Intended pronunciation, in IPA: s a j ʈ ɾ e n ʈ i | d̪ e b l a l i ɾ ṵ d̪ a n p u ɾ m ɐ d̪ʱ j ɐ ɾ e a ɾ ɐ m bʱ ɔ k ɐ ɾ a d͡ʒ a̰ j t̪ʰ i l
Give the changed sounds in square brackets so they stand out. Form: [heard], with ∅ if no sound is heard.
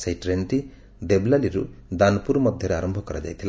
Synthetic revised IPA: s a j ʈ ɾ e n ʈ i | d̪ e b l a l i ɾ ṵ d̪ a n p u ɾ m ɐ d̪ʱ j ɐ ɾ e a ɾ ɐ m bʱ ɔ k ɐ ɾ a d͡ʒ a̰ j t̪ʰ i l